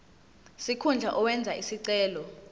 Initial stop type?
aspirated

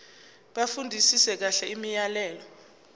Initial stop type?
implosive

